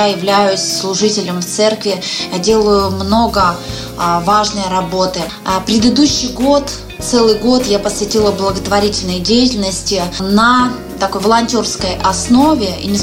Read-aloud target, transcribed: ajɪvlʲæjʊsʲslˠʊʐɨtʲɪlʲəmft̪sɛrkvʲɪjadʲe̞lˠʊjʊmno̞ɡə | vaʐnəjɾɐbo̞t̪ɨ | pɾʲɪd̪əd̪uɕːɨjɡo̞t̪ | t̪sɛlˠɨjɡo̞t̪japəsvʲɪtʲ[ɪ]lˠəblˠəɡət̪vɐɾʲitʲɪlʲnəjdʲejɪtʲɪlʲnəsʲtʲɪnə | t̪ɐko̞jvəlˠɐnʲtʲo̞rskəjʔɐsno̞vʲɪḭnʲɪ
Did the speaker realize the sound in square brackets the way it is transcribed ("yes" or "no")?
no